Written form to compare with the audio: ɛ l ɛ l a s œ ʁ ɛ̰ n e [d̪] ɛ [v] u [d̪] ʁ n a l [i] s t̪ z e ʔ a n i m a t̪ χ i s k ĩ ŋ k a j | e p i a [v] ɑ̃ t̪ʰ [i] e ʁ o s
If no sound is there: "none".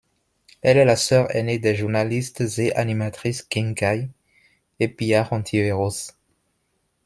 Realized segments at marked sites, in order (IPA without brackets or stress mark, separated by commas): d̪, ʒ, none, i, ʁ, i